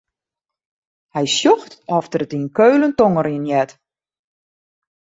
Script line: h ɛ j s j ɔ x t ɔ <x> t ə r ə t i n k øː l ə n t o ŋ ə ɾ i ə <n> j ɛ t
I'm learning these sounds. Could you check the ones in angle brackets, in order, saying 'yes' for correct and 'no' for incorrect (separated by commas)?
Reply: no, yes